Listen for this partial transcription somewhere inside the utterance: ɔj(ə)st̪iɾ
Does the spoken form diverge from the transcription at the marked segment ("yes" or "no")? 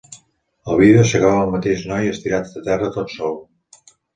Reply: no